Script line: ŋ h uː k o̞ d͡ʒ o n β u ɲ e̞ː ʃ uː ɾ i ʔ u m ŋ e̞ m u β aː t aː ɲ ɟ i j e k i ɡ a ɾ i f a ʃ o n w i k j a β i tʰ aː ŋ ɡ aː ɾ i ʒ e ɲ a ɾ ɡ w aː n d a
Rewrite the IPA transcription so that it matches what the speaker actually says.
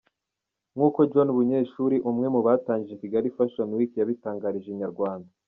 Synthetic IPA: ŋ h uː k o̞ d͡ʒ o n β u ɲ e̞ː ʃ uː ɾ i ʔ u m ŋ e̞ m u β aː t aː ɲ ɟ i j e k i ɡ a ɾ i f a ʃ o n w i k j a β i t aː ŋ ɡ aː ɾ i ʒ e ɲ a ɾ ɡ w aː n d a